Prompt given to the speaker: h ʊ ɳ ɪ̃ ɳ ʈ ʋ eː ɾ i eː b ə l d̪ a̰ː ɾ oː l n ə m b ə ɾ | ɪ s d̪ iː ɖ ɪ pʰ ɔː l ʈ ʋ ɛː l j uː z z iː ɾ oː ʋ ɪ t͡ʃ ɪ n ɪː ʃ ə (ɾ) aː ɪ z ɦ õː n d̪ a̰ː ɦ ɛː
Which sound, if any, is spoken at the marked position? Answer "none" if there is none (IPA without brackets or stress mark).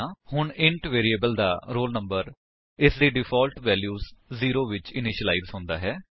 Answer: l